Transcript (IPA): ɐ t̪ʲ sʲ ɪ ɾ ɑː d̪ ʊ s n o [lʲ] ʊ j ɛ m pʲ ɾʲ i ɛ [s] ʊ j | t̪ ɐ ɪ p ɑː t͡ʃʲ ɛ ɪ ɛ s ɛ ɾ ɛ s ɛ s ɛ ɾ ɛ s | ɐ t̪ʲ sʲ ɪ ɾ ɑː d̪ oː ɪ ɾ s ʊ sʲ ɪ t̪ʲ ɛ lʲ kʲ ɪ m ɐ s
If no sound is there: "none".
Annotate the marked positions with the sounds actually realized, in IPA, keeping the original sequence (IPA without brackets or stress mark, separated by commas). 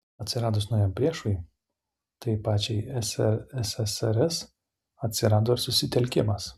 none, ʃ